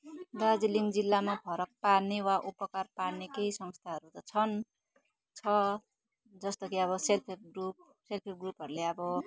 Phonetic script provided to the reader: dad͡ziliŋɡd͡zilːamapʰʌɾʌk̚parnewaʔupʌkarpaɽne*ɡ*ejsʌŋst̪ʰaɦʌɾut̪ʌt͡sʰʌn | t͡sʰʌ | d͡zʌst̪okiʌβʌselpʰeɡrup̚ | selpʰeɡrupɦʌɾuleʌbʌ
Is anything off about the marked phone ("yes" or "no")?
yes